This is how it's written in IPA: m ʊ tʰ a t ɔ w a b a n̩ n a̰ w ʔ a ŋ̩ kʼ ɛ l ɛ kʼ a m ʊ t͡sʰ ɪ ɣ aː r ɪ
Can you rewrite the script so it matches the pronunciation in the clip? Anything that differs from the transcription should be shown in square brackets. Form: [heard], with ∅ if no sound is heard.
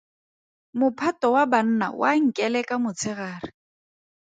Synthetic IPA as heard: m ʊ [pʰ] a t ɔ w a b a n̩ n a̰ w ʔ a ŋ̩ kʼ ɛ l ɛ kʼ a m ʊ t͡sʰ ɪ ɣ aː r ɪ

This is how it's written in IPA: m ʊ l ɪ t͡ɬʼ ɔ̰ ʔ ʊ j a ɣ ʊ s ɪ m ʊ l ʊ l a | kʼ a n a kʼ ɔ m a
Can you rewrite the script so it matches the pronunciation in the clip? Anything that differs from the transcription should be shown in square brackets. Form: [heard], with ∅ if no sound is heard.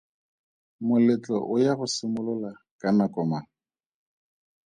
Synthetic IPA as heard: m ʊ l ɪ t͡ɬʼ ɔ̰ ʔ ʊ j a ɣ ʊ s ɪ m ʊ l ʊ l a | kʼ a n a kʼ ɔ m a

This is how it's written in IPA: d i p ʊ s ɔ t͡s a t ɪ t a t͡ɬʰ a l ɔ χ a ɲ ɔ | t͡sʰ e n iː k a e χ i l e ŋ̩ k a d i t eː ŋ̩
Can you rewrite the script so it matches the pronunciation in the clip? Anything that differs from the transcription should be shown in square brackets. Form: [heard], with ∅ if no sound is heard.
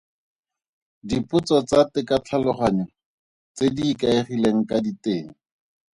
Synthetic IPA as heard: d i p ʊ [t͡s] ɔ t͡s a t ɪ [k] a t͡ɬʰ a l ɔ χ a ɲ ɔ | [t͡s] e [d] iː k a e χ i l e ŋ̩ k a d i t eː ŋ̩

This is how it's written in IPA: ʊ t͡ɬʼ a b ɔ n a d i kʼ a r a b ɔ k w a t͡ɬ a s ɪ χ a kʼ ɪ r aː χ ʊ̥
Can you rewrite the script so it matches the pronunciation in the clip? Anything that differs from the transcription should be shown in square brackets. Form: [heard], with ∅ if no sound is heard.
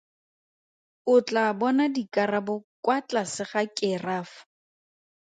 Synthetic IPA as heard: ʊ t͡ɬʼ a b ɔ n a d i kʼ a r a b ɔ k w a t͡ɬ a s ɪ χ a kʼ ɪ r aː [f] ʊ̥

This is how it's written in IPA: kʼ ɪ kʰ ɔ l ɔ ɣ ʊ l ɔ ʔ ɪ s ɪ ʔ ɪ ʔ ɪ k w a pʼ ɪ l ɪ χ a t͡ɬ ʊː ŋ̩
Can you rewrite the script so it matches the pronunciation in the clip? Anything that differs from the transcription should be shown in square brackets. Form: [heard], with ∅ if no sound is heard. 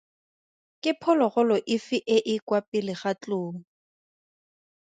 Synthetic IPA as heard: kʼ ɪ [pʰ] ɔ l ɔ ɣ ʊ l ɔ ʔ ɪ [f] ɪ ʔ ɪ ʔ ɪ k w a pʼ ɪ l ɪ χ a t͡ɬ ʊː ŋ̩

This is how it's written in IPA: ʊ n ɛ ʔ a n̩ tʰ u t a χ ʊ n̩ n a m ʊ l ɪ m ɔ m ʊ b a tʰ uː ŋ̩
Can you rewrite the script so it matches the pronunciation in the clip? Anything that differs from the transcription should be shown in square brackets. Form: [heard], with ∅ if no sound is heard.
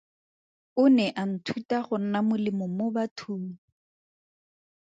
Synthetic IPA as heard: ʊ n ɛ ʔ a n̩ tʰ u t a χ ʊ n̩ n a m ʊ l ɪ m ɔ m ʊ b a tʰ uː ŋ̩

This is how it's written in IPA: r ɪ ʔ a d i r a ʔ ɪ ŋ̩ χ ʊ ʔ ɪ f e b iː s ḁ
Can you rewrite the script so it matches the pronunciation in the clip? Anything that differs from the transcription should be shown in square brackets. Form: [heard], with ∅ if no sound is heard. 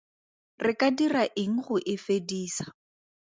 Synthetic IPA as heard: r ɪ [k] a d i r a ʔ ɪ ŋ̩ χ ʊ ʔ ɪ f e [d] iː s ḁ

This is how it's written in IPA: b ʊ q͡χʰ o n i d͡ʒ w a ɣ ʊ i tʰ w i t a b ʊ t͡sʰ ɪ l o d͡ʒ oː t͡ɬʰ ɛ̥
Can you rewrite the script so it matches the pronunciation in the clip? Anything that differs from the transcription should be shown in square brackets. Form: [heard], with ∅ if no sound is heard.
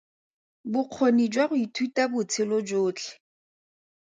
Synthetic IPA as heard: b ʊ q͡χʰ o n i d͡ʒ w a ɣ ʊ i tʰ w i t a b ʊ t͡sʰ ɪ l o d͡ʒ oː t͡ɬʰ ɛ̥

